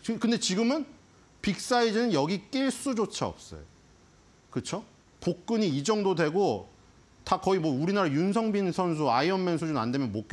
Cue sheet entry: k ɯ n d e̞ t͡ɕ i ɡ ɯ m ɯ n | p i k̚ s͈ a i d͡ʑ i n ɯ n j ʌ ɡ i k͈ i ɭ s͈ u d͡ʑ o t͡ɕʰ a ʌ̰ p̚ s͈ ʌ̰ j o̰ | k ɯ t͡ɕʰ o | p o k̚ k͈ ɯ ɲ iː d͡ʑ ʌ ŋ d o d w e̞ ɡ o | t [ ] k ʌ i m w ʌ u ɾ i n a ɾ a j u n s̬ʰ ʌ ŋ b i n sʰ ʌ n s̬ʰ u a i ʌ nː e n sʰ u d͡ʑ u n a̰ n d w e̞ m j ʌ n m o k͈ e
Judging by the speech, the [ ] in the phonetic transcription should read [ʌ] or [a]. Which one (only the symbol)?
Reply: a